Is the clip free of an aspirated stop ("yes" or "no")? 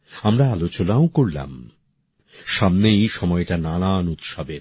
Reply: yes